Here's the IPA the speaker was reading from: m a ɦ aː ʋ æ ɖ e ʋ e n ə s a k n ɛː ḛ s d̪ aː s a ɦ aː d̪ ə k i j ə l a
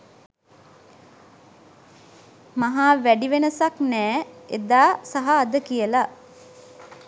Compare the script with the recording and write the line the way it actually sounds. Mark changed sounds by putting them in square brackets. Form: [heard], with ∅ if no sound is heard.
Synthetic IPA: m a ɦ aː ʋ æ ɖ [i] ʋ e n ə s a k n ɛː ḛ [∅] d̪ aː s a ɦ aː d̪ ə k i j ə l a